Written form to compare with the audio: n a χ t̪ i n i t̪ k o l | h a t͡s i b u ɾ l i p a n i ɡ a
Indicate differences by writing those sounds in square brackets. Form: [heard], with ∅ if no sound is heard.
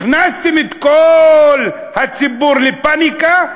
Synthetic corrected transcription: n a [s] t̪ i [m] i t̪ k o l | h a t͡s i b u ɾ l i p a n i [k] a